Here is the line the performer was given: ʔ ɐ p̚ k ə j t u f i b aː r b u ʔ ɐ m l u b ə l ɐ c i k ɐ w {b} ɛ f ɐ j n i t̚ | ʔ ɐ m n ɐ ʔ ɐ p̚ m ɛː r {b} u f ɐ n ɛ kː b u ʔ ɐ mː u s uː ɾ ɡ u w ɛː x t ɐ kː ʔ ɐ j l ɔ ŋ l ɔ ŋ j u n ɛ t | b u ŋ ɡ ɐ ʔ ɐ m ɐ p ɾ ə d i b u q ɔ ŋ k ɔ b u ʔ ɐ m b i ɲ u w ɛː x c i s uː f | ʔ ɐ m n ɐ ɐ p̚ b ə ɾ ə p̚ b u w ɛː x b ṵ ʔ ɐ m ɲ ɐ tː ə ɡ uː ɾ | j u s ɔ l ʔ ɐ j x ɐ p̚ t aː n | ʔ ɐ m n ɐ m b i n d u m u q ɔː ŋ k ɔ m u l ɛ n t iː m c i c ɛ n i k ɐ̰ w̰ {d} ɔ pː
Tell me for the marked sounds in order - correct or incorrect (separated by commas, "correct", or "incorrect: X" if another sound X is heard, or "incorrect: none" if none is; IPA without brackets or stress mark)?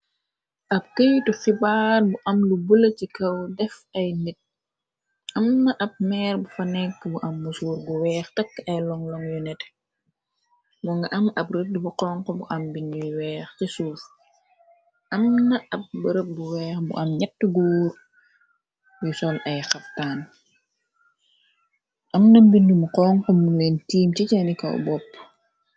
incorrect: d, correct, incorrect: b